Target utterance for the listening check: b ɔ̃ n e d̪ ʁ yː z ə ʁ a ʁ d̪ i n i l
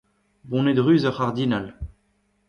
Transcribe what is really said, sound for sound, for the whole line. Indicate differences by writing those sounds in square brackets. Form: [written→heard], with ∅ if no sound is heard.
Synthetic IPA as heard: b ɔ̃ n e d̪ ʁ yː z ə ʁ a ʁ d̪ i n [i→a] l